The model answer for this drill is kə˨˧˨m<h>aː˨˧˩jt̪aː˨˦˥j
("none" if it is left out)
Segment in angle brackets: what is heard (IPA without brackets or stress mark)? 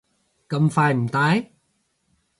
f